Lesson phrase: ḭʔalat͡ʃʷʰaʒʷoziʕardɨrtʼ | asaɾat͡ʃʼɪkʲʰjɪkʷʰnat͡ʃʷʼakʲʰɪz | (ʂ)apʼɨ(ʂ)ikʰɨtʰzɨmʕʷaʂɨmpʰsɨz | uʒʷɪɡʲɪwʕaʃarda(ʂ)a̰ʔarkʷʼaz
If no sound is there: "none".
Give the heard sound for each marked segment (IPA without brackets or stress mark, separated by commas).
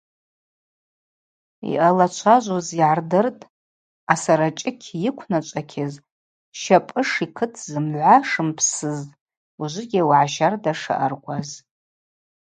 ʃ, ʂ, ʂ